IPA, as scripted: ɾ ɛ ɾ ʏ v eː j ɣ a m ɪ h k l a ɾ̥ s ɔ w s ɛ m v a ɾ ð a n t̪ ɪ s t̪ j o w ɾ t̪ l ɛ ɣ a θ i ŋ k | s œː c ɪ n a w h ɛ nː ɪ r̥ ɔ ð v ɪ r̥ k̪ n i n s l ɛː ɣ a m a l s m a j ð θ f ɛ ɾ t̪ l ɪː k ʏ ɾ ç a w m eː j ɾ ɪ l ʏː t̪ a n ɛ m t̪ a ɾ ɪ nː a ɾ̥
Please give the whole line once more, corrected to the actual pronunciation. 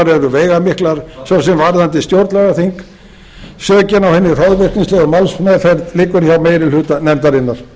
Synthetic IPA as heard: ɾ ɛ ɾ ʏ v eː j ɣ a m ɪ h k l a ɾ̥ s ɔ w s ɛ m v a ɾ ð a n t̪ ɪ s t̪ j o w ɾ t̪ l ɛ ɣ a θ i ŋ k | s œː c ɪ n a w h ɛ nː ɪ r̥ ɔ ð v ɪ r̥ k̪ n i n s l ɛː ɣ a m a l s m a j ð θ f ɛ ɾ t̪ l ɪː k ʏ ɾ ç a w m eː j ɾ ɪ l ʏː t̪ a n ɛ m t̪ a ɾ ɪ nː a ɾ̥